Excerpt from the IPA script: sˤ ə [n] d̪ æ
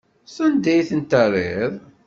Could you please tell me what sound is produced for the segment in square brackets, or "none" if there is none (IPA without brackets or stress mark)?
n